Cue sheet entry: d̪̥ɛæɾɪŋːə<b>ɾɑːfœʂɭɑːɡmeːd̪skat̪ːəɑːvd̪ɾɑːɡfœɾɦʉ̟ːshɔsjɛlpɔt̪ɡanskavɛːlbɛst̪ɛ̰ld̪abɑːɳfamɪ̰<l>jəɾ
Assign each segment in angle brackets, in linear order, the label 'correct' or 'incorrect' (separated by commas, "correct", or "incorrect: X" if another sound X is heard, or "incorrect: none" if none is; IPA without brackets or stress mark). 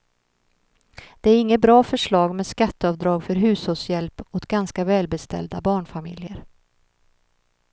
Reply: correct, correct